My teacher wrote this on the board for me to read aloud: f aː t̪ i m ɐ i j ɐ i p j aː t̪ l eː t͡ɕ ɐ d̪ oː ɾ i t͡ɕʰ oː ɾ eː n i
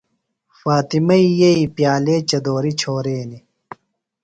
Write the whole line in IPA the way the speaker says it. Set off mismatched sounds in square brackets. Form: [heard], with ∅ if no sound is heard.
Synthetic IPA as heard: f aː t̪ i m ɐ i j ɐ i p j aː [∅] l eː t͡ɕ ɐ d̪ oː ɾ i t͡ɕʰ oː ɾ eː n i